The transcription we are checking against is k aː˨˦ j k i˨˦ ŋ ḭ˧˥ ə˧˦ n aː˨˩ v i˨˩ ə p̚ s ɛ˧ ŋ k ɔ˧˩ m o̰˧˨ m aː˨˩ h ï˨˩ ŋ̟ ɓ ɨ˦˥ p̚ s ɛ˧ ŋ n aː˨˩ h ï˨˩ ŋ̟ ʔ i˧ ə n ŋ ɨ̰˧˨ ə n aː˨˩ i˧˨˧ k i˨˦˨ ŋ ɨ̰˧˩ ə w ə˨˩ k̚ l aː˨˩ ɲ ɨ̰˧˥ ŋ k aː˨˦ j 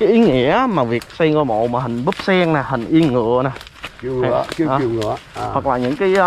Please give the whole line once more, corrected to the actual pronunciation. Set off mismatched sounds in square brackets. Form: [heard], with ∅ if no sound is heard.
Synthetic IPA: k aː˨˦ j [ʔ] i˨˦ ŋ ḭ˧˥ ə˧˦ [m] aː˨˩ v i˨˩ ə [k̚] s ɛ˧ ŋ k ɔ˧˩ m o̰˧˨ m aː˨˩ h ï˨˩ ŋ̟ ɓ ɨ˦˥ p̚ s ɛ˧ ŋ n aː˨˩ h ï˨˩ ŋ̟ ʔ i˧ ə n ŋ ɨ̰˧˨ ə n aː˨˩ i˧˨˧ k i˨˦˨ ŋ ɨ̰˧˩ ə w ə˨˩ k̚ l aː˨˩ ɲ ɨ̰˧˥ ŋ k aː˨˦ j